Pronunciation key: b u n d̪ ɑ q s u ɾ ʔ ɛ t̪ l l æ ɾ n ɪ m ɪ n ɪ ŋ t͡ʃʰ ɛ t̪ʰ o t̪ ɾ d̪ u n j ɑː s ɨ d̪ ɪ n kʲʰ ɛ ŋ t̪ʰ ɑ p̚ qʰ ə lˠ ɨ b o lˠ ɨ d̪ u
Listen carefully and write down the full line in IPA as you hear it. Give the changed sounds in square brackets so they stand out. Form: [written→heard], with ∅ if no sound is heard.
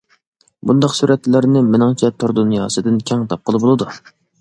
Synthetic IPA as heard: b u n d̪ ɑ q s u ɾ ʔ ɛ t̪ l l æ ɾ n ɪ m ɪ n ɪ ŋ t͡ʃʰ ɛ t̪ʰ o [t̪→∅] ɾ d̪ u n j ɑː s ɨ d̪ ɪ n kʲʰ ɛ ŋ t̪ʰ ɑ p̚ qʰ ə lˠ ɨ b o lˠ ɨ d̪ u